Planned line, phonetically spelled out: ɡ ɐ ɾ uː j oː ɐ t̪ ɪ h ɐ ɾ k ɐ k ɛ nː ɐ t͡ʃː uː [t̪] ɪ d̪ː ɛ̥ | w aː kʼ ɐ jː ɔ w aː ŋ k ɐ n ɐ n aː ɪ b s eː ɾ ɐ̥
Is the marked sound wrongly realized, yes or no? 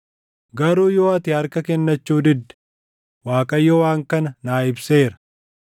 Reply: yes